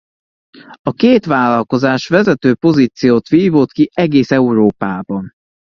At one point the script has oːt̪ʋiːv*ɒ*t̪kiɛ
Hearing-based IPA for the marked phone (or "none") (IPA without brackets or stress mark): o